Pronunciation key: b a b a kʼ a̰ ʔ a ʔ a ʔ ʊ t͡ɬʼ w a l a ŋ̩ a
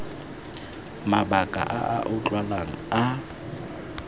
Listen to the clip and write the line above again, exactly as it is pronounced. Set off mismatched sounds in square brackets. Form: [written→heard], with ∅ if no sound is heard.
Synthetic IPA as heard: [b→m] a b a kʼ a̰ ʔ a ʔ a ʔ ʊ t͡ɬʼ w a l a ŋ̩ a